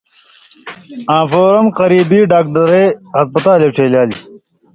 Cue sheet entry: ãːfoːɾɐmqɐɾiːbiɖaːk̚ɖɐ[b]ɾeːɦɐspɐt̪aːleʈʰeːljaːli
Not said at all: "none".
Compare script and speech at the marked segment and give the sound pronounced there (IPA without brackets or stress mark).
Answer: none